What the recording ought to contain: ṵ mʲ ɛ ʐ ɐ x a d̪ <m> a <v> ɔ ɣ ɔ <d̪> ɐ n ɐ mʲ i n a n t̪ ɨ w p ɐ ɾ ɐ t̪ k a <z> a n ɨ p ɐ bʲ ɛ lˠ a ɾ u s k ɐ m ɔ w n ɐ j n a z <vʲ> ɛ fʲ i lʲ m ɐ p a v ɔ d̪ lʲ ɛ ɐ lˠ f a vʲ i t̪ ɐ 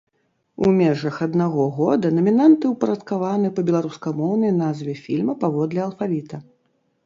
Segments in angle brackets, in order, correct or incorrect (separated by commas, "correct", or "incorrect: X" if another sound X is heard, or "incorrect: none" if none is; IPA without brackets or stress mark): incorrect: n, incorrect: ɣ, correct, incorrect: v, correct